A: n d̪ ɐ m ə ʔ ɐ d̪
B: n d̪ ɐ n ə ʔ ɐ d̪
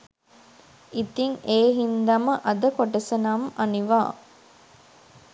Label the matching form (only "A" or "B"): A